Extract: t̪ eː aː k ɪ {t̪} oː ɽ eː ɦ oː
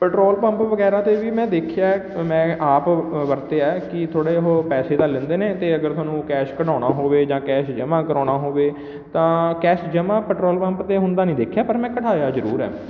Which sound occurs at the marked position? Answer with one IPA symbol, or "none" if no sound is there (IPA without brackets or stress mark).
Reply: t̪ʰ